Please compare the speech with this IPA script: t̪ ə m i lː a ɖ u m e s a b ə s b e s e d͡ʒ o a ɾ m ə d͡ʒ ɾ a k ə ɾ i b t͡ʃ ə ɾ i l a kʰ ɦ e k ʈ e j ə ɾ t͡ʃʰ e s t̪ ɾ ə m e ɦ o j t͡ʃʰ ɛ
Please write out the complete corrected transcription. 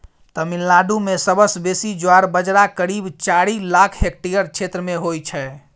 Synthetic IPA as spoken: t̪ ə m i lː a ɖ u m e s ə b ə s b e s i d͡ʒ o a ɾ b ə d͡ʒ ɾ a k ə ɾ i b t͡ʃ a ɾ i l a kʰ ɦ e k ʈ i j ə ɾ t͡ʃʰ e t̪ ɾ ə m e ɦ o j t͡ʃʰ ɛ